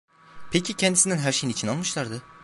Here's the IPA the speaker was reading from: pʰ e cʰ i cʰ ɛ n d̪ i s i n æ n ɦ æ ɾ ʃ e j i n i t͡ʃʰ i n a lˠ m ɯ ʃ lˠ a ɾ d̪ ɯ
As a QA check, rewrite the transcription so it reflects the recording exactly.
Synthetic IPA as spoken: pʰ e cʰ i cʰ ɛ n d̪ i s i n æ n ɦ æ ɾ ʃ e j i n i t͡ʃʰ i n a lˠ m ɯ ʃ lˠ a ɾ d̪ ɯ